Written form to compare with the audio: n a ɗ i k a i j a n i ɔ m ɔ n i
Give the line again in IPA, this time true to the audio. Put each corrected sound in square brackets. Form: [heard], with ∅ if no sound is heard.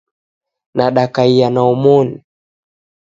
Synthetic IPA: n a ɗ [a] k a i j a n [a] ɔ m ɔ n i